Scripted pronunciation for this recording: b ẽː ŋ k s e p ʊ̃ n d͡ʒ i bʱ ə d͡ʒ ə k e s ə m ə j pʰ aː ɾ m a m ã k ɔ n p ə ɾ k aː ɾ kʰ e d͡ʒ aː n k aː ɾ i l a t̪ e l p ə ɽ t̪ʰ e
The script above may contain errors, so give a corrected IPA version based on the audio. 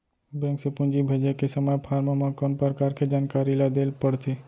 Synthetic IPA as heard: b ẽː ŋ k s e p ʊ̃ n d͡ʒ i bʱ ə d͡ʒ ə k e s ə m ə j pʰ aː ɾ m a m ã k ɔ n p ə ɾ k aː ɾ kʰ e d͡ʒ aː n k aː ɾ i l a d̪ e l p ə ɽ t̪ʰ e

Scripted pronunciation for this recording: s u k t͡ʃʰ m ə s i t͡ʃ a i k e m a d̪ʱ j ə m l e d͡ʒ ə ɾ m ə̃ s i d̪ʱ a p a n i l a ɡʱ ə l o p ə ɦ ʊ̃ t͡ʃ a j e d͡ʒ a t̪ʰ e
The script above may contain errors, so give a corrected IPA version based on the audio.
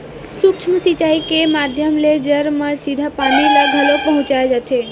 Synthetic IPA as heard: s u k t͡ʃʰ m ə s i t͡ʃ a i k e m a d̪ʱ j ə m l e d͡ʒ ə ɾ m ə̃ s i d̪ʱ a p a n i l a ɡʱ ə l o p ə ɦ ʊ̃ t͡ʃ a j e d͡ʒ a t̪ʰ e

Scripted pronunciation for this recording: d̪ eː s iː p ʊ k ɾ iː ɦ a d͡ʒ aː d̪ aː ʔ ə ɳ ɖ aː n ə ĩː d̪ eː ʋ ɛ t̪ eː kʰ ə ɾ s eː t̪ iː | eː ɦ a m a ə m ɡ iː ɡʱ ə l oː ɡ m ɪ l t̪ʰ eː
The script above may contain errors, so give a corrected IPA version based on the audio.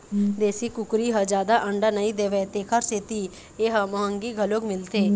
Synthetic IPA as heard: d̪ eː s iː k ʊ k ɾ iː ɦ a d͡ʒ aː d̪ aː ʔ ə ɳ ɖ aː n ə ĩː d̪ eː ʋ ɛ t̪ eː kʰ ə ɾ s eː t̪ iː | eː ɦ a m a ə ŋ ɡ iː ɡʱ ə l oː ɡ m ɪ l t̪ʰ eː

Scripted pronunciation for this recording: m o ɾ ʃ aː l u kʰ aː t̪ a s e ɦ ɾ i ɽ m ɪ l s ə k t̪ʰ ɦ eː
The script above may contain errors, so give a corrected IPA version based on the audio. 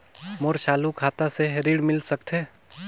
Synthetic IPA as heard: m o ɾ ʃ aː l u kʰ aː t̪ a s e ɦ ɾ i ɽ m ɪ l s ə k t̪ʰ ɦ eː

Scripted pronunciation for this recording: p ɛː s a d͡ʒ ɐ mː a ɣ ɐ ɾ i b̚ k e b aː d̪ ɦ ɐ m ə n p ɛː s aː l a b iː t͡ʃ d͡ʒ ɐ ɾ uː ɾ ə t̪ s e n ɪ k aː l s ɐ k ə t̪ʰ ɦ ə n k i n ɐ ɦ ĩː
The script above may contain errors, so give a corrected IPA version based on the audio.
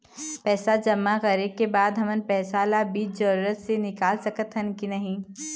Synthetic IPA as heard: p ɛː s a d͡ʒ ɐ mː a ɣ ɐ ɾ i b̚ k e b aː d̪ ɦ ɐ m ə n p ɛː s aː l a b iː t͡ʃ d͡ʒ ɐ ɾ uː ɾ ə t̪ s e n ɪ k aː l s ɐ k ə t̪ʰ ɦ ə n k i n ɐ ɦ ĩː

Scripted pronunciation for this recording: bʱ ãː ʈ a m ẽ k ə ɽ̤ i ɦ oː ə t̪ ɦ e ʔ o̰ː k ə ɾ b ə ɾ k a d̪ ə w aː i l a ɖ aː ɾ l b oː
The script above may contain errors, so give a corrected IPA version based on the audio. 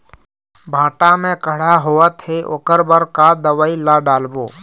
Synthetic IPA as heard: bʱ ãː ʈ a m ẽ k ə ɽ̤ a ɦ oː ə t̪ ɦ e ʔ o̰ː k ə ɾ b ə ɾ k a d̪ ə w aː i l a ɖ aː l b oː

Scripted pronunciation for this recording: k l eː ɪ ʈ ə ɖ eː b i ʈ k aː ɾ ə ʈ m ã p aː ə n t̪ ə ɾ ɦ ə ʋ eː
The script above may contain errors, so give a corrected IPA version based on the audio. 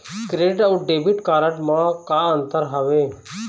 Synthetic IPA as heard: k ɾ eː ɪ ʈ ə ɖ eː b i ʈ k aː ɾ ə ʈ m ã k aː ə n t̪ ə ɾ ɦ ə ʋ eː

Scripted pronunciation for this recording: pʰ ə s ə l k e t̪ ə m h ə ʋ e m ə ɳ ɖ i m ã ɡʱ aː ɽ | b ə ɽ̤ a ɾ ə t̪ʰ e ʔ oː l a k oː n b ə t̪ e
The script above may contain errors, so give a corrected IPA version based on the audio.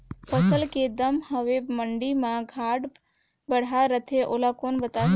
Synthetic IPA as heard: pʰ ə s ə l k e d̪ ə m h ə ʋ e m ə ɳ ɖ i m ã ɡʱ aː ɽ | b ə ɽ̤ a ɾ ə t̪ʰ e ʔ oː l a k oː n b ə t̪ a

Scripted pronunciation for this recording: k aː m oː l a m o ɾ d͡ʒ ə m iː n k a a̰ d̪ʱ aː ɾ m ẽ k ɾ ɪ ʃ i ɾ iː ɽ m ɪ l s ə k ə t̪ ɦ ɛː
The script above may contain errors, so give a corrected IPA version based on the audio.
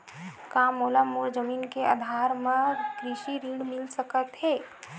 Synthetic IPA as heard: k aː m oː l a m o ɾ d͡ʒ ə m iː n k e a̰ d̪ʱ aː ɾ m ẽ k ɾ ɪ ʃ i ɾ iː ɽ m ɪ l s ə k ə t̪ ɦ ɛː

